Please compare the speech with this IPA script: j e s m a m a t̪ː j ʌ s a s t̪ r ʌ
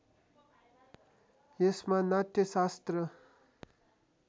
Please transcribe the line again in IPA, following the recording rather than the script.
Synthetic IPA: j e s m a n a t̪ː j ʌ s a s t̪ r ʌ